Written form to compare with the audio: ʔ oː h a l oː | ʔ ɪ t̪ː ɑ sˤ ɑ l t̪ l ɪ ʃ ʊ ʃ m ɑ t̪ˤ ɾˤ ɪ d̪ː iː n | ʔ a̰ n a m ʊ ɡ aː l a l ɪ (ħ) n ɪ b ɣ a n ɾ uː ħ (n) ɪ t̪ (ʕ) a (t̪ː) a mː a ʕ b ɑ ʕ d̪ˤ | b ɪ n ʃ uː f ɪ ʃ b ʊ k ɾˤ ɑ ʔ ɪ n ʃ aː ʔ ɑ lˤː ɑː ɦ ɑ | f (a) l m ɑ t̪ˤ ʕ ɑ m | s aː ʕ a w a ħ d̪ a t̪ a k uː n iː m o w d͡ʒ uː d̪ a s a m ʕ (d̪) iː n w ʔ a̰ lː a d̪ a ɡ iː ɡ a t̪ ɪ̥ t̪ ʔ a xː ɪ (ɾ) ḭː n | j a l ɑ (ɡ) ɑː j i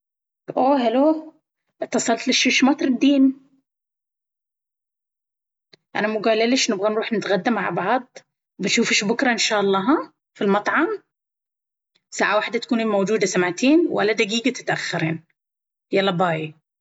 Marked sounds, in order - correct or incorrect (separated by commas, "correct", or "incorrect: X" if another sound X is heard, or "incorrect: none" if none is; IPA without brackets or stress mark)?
incorrect: ʃ, correct, incorrect: ɣ, incorrect: d̪ː, incorrect: i, incorrect: t̪, correct, incorrect: b